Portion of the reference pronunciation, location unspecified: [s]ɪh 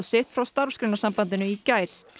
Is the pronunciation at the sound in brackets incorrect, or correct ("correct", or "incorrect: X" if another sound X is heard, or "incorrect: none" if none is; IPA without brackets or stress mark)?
correct